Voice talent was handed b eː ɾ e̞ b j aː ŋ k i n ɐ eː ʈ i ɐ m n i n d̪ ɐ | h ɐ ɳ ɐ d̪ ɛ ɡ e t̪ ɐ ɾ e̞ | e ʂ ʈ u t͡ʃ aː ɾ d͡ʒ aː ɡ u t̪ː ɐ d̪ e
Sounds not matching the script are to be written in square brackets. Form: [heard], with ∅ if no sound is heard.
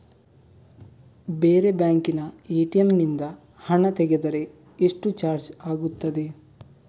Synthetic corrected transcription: b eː ɾ e̞ b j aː ŋ k i n ɐ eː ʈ i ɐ m n i n d̪ ɐ | h ɐ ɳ ɐ [t̪] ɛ ɡ e [d̪] ɐ ɾ e̞ | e ʂ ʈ u t͡ʃ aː ɾ d͡ʒ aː ɡ u t̪ː ɐ d̪ e